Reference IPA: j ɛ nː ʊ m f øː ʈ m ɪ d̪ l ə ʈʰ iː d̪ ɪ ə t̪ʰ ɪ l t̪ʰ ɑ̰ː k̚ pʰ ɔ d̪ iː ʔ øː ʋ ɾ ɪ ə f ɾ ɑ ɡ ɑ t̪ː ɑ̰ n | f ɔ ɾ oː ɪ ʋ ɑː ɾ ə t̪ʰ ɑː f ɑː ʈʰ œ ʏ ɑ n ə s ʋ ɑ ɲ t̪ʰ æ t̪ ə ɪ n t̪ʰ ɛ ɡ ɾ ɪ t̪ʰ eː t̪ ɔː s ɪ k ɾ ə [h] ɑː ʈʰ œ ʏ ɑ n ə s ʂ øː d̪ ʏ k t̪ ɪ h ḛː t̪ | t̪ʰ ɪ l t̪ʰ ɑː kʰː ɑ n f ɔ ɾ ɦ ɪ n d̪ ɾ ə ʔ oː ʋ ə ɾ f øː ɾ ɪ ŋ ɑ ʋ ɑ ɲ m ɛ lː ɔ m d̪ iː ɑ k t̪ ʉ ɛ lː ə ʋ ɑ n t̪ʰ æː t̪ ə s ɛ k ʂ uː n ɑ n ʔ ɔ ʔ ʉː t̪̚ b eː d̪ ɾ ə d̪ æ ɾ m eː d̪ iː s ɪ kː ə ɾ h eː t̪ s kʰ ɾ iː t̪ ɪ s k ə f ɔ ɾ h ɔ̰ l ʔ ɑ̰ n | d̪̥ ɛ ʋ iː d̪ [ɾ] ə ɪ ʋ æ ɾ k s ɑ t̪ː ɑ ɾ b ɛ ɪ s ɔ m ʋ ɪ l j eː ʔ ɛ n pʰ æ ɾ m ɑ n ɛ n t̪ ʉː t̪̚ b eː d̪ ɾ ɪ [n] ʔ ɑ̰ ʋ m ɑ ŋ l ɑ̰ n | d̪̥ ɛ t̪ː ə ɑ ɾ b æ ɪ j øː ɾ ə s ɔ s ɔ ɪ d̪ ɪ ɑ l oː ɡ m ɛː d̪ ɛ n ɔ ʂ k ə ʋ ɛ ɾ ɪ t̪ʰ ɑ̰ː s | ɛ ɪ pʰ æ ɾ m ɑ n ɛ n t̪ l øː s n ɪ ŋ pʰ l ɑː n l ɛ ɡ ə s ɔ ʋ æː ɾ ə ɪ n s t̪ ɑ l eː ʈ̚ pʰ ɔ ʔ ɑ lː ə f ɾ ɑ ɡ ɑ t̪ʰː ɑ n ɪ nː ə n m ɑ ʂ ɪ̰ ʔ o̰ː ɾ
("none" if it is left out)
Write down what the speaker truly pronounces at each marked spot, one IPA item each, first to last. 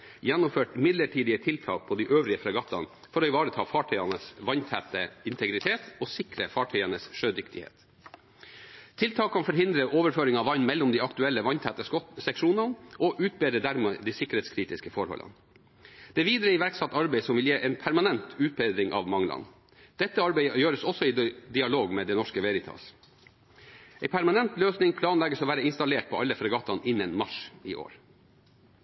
f, ɾ, ŋ

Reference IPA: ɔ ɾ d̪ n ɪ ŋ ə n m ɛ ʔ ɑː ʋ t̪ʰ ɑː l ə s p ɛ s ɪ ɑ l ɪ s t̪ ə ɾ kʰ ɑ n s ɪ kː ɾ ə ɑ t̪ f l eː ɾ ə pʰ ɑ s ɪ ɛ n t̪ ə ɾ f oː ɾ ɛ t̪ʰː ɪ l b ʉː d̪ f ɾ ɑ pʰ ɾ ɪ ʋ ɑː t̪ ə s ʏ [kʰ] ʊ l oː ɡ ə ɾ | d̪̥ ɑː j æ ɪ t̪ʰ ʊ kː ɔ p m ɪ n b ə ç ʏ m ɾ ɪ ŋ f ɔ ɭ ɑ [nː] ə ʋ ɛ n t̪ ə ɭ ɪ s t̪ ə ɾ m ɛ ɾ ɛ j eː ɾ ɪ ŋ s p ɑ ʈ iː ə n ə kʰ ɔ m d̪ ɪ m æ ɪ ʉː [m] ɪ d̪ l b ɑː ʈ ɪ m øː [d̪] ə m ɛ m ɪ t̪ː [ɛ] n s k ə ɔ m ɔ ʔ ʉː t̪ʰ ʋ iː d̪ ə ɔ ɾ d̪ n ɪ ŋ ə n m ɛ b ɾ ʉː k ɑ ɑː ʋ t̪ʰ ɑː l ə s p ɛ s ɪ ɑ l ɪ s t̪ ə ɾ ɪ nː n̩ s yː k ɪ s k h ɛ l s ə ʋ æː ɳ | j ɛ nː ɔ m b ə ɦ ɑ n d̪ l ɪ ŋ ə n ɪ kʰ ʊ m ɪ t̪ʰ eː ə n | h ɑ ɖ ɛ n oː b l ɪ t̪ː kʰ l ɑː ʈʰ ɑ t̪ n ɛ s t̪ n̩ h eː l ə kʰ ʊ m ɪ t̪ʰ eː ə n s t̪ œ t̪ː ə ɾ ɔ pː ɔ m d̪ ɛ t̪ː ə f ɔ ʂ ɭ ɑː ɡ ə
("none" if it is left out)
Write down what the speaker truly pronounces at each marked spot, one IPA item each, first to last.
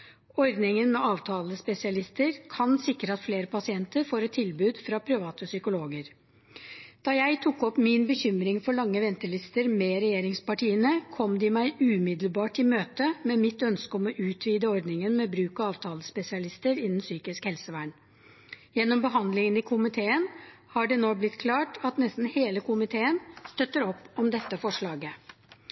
k, ŋː, m, t̪, œ

